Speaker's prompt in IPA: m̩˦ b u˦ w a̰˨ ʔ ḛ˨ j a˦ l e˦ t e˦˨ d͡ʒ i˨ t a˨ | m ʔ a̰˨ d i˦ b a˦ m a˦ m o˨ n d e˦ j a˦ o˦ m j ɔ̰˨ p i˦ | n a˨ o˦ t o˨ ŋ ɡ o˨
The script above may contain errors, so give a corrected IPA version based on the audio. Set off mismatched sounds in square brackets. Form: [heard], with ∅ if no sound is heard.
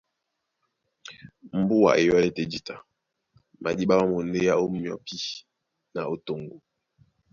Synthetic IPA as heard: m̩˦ b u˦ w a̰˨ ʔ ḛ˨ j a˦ l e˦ t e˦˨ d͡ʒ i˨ t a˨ | m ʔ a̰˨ d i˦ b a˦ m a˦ m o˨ n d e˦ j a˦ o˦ m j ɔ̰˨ p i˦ | n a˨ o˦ t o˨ ŋ ɡ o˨